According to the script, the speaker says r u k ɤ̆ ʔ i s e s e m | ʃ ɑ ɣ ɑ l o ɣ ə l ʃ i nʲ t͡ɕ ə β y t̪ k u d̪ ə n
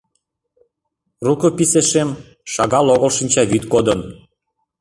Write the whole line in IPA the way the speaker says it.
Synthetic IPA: r u k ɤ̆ p i s e ʃ e m | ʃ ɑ ɣ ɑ l o ɣ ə l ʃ i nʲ t͡ɕ ɑ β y t̪ k o d̪ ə n